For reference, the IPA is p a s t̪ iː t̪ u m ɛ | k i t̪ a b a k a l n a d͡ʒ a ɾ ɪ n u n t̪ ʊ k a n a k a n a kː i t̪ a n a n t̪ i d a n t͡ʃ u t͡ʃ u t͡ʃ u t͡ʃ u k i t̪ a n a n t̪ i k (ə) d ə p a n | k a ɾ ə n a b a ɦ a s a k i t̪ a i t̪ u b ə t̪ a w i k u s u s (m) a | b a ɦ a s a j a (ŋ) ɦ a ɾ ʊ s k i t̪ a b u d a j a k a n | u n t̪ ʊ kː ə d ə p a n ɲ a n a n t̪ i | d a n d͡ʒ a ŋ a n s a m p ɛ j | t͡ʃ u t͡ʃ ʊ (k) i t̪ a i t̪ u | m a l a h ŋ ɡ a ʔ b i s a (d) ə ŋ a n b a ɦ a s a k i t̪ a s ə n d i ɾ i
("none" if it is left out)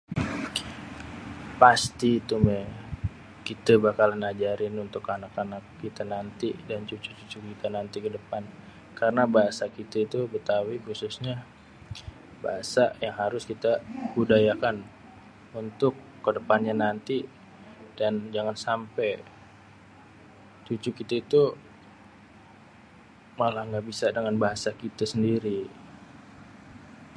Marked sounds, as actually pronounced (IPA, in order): ə, ɲ, ŋ, k, d

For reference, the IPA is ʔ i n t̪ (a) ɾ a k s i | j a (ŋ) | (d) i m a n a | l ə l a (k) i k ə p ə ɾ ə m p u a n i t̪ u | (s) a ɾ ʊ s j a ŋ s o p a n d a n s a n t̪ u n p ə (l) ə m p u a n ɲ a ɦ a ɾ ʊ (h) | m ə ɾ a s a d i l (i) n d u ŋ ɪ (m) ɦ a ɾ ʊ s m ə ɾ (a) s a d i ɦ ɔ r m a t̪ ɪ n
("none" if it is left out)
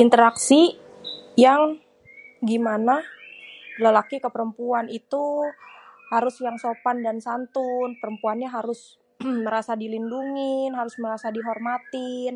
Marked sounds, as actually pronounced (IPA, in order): ə, ŋ, ɡ, k, h, ɾ, s, i, n, a

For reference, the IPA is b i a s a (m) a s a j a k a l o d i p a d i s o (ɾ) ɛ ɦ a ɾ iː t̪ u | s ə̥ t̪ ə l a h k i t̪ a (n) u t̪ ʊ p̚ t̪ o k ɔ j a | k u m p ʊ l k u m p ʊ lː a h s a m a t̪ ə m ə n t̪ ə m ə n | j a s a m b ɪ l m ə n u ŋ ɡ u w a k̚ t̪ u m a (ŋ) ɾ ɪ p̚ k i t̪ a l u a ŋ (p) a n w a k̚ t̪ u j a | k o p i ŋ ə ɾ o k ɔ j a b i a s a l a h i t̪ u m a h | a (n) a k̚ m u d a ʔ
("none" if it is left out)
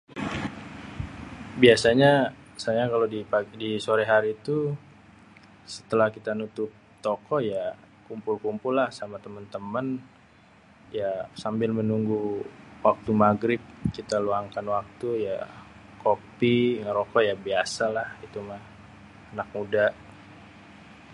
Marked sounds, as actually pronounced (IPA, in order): ɲ, ɾ, n, ɡ, k, n

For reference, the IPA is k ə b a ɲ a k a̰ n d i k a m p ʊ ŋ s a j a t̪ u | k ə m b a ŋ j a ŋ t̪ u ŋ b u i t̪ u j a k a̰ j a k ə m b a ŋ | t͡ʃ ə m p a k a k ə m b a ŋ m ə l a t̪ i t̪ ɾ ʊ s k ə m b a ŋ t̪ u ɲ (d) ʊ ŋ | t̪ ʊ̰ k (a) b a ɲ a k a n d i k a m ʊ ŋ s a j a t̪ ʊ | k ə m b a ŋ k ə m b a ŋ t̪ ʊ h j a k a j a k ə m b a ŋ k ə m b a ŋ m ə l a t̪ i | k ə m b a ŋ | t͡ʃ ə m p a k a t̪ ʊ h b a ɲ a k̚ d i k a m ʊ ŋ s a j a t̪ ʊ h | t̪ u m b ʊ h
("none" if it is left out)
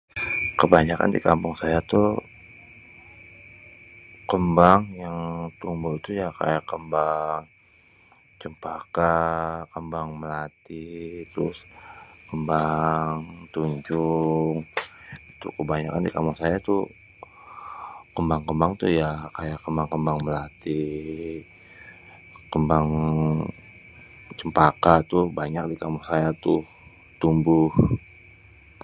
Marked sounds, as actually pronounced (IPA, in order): d͡ʒ, ə

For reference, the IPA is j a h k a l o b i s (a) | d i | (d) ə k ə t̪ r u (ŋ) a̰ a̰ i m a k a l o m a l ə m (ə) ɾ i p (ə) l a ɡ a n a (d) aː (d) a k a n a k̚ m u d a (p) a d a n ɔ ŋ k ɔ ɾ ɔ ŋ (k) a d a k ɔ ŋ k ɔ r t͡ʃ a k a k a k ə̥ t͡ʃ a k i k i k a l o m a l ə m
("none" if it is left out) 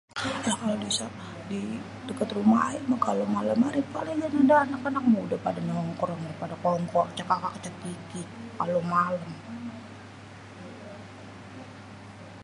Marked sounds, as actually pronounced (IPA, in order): a, d, m, a, a, d, n, p, p

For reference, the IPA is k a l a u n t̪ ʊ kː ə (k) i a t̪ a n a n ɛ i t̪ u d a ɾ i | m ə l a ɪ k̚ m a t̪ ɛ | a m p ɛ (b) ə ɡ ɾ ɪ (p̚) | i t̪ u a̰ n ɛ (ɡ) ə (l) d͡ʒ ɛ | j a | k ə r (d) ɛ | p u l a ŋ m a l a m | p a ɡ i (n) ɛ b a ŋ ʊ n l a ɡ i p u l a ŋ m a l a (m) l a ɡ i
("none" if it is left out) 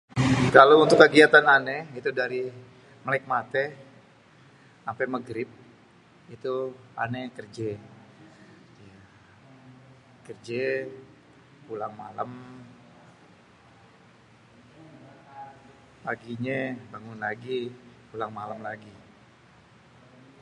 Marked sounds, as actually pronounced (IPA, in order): ɡ, m, p̚, k, r, d͡ʒ, ɲ, m

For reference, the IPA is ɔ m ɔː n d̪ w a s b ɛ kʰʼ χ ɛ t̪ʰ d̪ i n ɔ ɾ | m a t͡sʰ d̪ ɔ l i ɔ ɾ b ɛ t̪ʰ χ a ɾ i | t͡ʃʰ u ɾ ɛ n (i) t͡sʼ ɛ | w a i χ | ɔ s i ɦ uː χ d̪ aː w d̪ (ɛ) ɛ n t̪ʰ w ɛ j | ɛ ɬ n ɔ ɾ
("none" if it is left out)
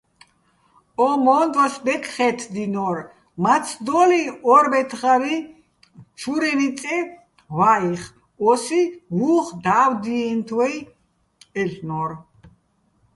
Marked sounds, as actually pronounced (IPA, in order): i, i

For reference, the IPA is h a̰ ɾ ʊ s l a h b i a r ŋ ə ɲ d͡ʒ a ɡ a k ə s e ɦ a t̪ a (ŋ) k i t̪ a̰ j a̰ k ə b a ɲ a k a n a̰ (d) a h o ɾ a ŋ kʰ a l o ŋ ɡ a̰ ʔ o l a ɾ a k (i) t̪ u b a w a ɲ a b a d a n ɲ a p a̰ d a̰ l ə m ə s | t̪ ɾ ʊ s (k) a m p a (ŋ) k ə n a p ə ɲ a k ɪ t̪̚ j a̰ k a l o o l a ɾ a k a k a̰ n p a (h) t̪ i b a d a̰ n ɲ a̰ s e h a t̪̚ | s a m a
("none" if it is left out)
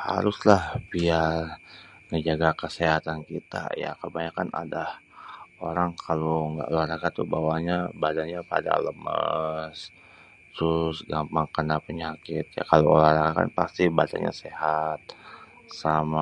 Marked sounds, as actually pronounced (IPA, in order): n, d, a, ɡ, ŋ, s

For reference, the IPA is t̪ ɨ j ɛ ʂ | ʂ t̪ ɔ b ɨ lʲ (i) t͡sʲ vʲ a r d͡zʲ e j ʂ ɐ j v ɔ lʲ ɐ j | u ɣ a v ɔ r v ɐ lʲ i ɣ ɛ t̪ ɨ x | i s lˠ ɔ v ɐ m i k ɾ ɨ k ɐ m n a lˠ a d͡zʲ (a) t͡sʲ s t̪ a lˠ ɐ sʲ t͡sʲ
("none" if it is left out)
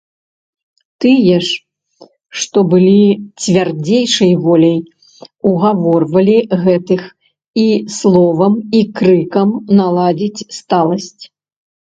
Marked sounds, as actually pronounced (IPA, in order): i, i

